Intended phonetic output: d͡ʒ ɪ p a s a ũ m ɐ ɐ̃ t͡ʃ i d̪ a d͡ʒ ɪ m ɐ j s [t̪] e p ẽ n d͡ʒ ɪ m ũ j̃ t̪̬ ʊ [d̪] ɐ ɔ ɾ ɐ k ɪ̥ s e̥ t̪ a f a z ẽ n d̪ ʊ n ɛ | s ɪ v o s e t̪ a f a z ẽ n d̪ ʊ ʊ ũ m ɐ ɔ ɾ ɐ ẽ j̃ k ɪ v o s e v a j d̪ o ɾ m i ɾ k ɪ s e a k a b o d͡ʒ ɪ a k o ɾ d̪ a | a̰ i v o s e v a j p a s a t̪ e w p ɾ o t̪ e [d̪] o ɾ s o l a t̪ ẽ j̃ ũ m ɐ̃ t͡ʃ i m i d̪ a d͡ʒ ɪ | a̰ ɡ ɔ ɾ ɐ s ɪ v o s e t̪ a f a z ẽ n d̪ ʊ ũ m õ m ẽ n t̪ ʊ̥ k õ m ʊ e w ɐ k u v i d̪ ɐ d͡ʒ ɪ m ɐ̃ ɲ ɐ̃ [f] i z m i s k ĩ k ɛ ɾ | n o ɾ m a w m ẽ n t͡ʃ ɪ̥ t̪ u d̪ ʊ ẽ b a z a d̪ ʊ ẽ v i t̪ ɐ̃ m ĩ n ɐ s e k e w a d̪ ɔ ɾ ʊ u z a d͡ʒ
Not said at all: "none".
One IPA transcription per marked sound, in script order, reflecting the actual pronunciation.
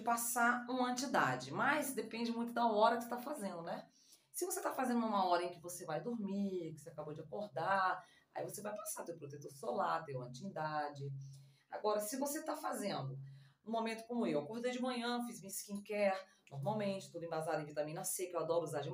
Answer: d̪, d̪, t̪, f

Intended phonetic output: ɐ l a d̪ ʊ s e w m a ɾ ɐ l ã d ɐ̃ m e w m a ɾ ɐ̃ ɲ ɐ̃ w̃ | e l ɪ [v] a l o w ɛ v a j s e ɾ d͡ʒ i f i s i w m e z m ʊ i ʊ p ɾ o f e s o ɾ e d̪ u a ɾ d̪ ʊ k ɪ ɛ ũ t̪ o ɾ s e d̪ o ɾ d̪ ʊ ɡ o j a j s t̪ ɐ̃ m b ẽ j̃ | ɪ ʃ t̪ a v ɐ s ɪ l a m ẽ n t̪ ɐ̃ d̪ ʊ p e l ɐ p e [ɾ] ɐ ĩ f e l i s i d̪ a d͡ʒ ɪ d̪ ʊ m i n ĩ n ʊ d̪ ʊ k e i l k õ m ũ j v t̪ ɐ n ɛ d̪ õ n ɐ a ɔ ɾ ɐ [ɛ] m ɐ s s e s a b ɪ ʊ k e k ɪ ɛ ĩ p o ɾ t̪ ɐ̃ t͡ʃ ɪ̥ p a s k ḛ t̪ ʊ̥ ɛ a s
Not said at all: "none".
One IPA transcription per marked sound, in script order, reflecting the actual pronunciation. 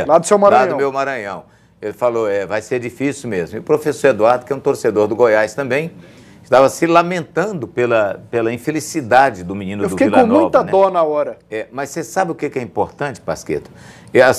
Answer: f, l, ɛ

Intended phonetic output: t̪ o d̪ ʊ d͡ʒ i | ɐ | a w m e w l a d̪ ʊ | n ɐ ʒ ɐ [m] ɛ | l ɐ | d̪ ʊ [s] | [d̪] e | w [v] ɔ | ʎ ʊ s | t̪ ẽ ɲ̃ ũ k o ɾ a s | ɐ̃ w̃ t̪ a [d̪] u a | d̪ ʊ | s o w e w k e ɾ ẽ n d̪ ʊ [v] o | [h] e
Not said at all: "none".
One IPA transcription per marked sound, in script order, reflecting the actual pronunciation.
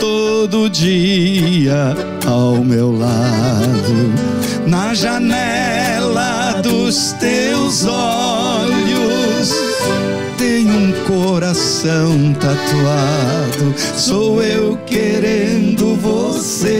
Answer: n, s, t̪, z, t̪, v, s

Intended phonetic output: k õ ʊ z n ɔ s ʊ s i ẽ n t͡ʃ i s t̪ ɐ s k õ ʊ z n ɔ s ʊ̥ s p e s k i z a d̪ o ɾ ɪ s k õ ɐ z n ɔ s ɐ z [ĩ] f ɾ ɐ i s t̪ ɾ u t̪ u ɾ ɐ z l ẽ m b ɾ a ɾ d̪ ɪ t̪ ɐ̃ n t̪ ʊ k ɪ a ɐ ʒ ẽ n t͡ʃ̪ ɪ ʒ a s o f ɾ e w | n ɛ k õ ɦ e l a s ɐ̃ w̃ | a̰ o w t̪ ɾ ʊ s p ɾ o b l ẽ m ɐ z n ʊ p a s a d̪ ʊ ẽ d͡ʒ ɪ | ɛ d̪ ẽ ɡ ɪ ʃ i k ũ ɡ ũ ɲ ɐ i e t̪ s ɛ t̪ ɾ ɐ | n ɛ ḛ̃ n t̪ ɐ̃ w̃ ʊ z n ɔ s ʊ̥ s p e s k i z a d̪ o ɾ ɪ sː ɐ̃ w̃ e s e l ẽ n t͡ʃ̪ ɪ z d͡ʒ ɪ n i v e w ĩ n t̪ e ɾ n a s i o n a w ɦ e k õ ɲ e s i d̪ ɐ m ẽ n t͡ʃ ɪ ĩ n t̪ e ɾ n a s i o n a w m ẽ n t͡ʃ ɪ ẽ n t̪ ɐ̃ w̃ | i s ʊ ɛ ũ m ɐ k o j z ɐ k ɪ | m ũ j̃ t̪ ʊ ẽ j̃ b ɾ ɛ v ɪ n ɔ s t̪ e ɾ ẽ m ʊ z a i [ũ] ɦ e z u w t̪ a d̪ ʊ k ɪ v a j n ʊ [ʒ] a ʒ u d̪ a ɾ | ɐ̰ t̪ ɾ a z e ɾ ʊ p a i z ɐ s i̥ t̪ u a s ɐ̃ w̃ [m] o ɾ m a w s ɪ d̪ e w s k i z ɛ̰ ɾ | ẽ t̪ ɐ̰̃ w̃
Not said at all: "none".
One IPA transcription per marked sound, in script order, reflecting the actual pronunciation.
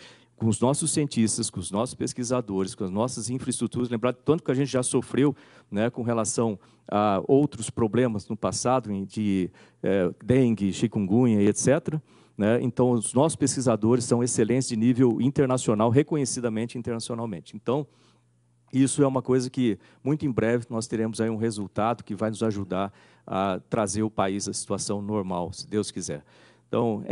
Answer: ĩ, ũ, z, n

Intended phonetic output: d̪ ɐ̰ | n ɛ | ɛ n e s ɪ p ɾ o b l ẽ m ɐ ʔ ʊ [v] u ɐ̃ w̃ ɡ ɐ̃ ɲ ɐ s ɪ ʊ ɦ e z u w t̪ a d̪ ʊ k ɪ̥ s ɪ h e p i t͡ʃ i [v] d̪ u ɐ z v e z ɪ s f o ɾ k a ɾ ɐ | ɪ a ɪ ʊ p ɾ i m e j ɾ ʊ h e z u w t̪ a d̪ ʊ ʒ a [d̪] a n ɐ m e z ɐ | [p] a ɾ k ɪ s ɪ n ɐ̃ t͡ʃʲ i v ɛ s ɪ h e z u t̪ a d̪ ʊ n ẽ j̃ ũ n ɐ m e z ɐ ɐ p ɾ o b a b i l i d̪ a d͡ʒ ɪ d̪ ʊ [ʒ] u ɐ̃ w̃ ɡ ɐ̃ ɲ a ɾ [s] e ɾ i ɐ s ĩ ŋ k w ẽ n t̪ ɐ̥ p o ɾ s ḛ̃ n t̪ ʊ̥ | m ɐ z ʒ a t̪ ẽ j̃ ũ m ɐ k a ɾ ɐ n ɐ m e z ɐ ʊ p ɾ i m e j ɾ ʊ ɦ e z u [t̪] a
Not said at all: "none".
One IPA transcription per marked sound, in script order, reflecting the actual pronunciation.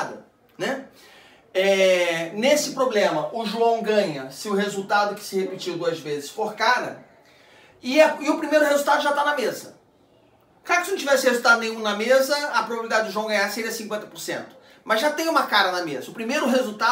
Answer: ʒ, w, t̪, k, ʒ, s, t̪

